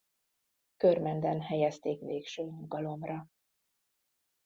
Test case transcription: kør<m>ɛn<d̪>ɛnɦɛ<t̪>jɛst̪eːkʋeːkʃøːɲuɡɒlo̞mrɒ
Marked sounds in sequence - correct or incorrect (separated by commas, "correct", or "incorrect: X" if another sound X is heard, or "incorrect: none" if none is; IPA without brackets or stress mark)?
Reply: correct, correct, incorrect: none